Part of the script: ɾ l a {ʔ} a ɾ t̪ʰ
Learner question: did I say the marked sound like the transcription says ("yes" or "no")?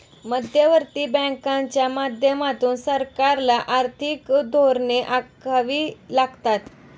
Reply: yes